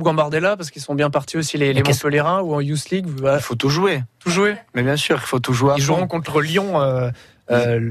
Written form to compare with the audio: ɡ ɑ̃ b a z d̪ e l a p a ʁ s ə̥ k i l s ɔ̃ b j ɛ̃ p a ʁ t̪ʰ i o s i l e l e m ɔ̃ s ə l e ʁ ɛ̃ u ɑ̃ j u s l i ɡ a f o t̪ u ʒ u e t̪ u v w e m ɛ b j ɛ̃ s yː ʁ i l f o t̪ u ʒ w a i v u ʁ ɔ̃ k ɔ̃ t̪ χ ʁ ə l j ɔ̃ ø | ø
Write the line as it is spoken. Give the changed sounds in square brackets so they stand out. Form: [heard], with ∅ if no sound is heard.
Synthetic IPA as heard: ɡ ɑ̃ b a [ʁ] d̪ e l a p a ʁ s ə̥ k i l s ɔ̃ b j ɛ̃ p a ʁ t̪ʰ i o s i l e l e m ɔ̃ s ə l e ʁ ɛ̃ u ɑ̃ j u s l i ɡ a f o t̪ u ʒ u e t̪ u [ʒ] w e m ɛ b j ɛ̃ s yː ʁ i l f o t̪ u ʒ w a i [ʒ] u ʁ ɔ̃ k ɔ̃ t̪ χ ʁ ə l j ɔ̃ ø | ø